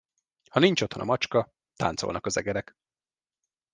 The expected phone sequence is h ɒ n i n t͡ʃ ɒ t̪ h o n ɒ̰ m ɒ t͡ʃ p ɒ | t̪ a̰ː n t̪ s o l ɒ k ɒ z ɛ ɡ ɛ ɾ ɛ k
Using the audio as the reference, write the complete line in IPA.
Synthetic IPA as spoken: h ɒ n i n t͡ʃ o t̪ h o n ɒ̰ m ɒ t͡ʃ k ɒ | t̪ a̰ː n t̪ s o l ɒ k ɒ z ɛ ɡ ɛ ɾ ɛ k